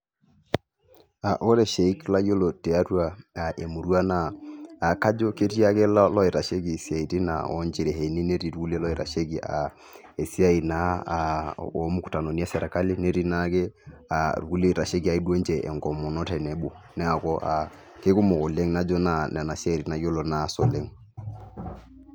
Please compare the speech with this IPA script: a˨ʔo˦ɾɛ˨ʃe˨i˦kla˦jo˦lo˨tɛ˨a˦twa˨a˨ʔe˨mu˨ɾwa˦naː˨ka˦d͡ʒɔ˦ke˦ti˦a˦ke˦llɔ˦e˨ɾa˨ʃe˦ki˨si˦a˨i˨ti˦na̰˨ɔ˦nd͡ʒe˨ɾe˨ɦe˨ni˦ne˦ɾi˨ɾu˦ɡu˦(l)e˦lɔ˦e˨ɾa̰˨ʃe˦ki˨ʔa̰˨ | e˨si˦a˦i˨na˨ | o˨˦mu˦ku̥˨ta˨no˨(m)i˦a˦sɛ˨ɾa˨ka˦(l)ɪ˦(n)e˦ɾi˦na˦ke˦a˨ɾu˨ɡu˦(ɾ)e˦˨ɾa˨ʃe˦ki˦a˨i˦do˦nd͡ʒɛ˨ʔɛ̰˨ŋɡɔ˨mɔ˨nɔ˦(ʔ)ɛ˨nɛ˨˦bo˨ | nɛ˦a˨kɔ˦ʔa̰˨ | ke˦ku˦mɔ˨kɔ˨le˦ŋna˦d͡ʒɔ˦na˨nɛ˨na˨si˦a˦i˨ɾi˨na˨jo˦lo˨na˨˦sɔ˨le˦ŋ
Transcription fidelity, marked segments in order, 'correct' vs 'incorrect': correct, incorrect, correct, correct, incorrect, incorrect

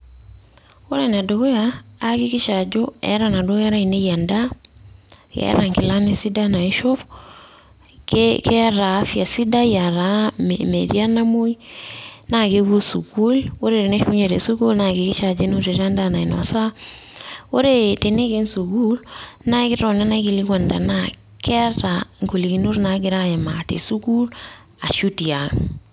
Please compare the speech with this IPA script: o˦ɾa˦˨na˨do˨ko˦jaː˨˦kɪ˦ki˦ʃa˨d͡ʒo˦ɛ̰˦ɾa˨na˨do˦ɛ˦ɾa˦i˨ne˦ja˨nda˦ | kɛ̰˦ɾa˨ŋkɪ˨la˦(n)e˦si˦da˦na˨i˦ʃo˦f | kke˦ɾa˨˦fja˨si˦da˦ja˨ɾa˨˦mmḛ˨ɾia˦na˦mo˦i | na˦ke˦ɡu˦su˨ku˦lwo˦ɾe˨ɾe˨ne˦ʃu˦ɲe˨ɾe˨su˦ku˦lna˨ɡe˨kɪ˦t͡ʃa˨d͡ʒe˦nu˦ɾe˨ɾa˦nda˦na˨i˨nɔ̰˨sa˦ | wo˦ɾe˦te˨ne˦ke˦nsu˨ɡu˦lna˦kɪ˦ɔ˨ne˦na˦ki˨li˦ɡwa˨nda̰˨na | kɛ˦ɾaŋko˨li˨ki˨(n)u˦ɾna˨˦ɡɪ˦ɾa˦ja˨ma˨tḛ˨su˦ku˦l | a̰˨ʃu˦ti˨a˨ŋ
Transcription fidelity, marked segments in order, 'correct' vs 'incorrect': correct, correct

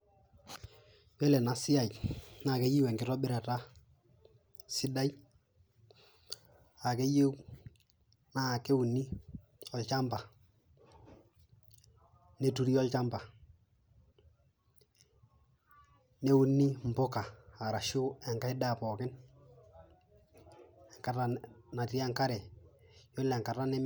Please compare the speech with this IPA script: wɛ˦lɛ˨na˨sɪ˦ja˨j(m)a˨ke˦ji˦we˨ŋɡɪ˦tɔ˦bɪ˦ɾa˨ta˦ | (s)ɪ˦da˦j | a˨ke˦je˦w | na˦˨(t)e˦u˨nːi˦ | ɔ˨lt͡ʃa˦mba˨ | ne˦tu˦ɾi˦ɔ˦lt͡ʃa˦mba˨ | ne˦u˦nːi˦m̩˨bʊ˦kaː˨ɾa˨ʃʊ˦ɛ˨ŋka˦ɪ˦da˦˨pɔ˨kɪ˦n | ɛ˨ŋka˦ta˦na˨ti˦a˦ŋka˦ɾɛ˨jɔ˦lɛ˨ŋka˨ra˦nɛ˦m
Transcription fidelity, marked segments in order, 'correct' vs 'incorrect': incorrect, correct, incorrect

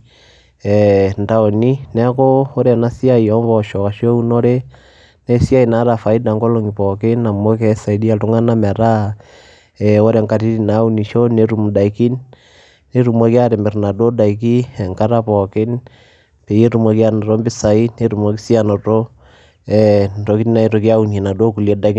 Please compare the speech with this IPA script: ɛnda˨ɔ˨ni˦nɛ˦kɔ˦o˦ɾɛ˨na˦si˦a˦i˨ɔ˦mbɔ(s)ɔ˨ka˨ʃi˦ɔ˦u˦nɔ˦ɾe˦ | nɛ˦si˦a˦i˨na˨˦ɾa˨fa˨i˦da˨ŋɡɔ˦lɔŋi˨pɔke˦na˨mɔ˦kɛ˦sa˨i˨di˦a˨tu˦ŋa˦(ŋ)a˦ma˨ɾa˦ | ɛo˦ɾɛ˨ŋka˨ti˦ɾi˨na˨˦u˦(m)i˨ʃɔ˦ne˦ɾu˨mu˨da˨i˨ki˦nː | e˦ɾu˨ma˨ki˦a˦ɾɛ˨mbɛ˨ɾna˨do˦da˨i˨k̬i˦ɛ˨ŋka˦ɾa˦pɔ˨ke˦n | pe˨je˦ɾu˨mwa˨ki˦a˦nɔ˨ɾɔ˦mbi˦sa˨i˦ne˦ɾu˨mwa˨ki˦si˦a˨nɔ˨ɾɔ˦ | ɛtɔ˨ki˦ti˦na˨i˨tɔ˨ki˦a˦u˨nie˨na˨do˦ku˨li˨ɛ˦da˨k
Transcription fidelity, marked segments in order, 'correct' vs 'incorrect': incorrect, incorrect, incorrect

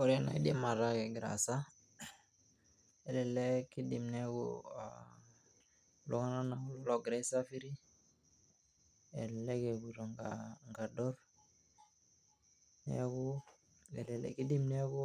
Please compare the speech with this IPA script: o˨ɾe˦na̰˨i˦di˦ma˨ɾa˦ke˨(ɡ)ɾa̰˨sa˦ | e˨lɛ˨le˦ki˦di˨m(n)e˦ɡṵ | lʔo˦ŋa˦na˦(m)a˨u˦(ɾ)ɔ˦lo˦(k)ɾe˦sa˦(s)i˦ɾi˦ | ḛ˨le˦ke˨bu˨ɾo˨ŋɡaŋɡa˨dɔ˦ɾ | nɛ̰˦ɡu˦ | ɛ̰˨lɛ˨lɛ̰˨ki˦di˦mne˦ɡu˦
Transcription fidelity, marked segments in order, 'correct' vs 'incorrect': correct, correct, incorrect, incorrect, incorrect, incorrect

